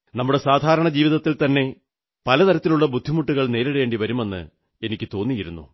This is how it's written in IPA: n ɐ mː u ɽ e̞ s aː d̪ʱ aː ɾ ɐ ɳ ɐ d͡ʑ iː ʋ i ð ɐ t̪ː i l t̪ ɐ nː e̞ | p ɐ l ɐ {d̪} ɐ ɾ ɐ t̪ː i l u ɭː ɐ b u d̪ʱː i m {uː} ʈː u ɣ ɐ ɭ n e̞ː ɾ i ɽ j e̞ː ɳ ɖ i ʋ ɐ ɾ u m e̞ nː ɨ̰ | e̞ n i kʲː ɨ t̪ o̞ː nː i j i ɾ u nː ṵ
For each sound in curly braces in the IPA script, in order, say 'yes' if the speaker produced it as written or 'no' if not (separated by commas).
no, no